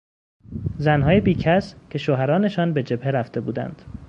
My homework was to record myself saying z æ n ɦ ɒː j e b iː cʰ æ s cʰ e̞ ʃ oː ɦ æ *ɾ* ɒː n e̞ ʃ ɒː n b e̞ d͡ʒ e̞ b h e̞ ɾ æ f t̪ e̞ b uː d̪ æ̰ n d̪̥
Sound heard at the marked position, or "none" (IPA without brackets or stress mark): ɾ